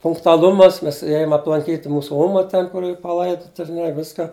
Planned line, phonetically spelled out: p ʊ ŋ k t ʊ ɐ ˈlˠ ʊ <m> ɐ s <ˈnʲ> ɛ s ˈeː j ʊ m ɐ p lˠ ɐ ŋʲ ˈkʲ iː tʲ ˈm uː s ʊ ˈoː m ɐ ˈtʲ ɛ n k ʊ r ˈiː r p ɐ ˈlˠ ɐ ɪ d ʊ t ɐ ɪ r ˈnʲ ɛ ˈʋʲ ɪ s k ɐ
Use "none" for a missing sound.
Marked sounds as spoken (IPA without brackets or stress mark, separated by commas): m, mʲ